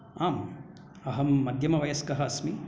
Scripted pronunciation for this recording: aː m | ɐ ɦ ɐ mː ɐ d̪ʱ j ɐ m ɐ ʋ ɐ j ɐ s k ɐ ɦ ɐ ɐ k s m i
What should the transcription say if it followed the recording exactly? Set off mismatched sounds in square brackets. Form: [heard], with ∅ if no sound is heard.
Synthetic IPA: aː m | ɐ ɦ ɐ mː ɐ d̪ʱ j ɐ m ɐ ʋ ɐ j ɐ s k ɐ ɦ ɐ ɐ [∅] s m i